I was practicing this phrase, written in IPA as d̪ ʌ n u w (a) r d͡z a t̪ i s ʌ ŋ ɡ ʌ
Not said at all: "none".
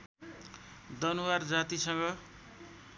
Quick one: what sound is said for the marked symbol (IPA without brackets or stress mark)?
a